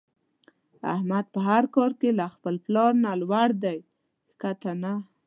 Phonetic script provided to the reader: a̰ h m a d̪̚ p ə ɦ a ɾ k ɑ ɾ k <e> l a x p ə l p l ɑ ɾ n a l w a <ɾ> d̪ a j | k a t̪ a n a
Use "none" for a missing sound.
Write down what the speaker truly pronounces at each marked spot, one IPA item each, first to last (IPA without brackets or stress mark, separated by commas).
e, ɽ